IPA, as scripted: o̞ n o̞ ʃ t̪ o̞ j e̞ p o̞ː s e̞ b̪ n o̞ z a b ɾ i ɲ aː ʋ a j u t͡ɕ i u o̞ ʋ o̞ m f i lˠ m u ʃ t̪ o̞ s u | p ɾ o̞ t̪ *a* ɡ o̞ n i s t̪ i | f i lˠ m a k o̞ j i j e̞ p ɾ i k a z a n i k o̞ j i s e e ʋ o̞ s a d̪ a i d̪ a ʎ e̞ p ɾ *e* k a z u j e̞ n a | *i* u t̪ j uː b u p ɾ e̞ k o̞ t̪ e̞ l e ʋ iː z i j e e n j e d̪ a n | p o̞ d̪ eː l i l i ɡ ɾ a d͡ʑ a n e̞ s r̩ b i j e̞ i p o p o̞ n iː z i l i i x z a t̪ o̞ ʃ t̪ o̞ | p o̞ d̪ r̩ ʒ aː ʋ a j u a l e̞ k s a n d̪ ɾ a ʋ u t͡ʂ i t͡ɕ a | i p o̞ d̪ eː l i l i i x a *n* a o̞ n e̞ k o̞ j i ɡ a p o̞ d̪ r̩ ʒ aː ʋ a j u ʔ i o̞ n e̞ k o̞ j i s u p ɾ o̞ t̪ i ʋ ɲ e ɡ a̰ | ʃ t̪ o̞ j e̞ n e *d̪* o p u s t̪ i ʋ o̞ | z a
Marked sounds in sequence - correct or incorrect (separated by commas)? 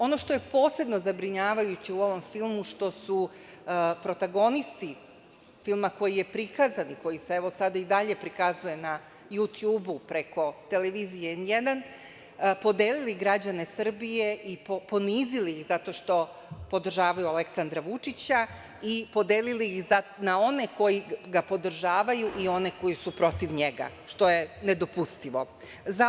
correct, incorrect, incorrect, correct, correct